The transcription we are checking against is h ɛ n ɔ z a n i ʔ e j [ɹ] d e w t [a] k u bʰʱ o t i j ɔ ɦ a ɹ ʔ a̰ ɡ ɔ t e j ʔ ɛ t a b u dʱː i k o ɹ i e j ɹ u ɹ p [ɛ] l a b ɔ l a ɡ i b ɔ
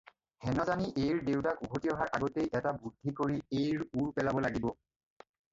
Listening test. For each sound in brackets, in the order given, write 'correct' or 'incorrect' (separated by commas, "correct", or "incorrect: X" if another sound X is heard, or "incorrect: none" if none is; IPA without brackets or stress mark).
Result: correct, correct, correct